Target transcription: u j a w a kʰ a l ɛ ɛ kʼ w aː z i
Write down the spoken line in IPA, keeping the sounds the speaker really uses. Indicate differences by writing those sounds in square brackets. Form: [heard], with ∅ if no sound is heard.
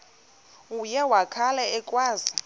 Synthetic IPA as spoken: u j [ɛ] w a kʰ a l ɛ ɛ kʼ w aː z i